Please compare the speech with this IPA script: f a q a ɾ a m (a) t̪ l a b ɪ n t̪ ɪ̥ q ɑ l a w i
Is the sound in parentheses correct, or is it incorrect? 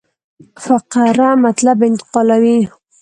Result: correct